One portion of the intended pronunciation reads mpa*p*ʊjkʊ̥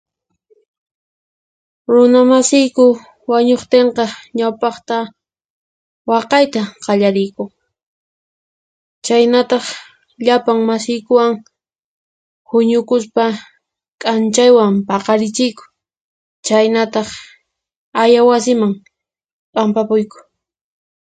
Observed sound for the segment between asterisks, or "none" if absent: p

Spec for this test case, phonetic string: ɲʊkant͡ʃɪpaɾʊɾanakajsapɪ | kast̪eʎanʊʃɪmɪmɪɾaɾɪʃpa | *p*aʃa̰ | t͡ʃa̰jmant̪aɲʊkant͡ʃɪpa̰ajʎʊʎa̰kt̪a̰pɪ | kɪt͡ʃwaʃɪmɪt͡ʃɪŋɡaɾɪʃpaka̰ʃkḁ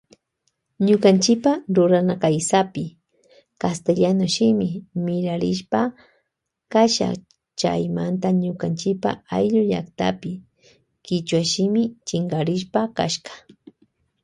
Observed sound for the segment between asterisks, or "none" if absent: k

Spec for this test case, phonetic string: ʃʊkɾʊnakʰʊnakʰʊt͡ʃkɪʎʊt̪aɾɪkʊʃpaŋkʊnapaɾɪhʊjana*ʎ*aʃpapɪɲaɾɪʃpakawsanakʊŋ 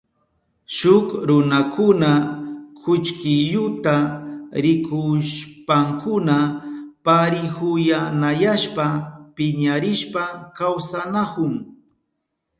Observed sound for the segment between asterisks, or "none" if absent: j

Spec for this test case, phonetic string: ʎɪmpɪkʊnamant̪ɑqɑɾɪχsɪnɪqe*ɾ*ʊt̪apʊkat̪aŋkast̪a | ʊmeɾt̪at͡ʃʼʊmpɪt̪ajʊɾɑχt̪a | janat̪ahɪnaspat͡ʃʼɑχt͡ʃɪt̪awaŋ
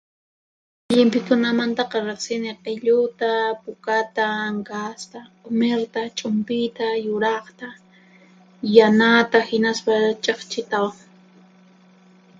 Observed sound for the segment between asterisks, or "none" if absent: ʎ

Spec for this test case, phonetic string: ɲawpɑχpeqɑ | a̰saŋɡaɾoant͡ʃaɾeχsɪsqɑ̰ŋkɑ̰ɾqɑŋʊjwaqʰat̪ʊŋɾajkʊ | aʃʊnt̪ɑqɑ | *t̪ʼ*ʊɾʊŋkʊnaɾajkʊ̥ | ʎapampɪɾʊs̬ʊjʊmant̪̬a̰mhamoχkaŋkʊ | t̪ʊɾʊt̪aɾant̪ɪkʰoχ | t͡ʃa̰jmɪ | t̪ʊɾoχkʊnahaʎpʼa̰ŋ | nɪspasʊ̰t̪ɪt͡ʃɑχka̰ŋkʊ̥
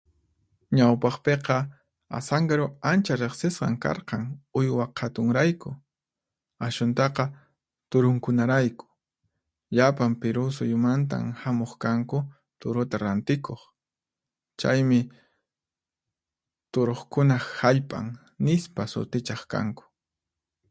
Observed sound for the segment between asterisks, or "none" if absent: t̪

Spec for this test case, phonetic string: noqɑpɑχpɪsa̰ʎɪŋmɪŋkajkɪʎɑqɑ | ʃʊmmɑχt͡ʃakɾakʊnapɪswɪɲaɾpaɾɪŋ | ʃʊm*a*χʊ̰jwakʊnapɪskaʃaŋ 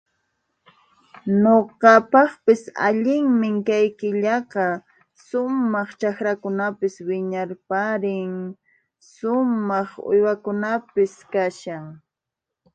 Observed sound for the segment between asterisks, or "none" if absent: ɑ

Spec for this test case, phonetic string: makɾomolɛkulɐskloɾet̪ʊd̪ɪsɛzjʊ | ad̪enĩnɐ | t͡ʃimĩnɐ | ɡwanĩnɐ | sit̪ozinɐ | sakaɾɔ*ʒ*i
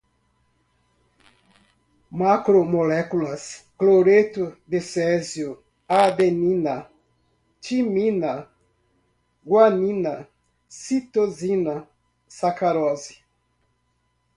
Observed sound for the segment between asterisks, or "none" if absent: z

